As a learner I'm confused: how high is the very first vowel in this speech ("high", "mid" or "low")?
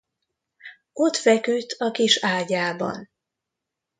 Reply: mid